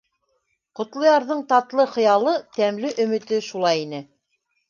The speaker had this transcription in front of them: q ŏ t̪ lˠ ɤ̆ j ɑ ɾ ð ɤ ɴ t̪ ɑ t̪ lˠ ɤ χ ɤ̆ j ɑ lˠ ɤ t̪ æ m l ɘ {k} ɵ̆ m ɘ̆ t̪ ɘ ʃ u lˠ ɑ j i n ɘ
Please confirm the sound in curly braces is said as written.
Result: no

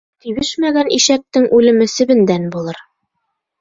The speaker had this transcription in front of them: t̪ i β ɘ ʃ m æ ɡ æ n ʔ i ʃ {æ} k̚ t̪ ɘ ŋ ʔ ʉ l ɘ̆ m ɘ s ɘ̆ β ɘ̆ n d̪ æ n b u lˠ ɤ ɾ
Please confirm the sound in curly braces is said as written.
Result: yes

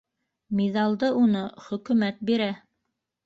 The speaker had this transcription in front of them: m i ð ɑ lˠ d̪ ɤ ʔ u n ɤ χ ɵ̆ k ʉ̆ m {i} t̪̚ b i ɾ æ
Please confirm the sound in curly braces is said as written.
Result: no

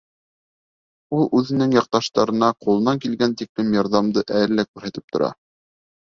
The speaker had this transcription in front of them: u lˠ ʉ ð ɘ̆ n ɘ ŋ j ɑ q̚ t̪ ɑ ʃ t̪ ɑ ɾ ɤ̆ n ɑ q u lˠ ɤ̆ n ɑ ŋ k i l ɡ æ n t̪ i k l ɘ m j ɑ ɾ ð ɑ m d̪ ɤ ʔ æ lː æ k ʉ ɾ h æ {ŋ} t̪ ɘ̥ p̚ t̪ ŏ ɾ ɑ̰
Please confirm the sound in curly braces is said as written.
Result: no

